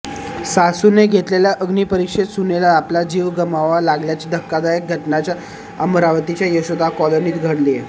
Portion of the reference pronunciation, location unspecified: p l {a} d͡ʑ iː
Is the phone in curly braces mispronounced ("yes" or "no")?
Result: no